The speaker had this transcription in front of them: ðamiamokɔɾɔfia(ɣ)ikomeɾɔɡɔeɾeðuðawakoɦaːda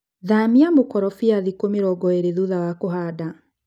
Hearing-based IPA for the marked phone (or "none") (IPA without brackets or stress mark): ð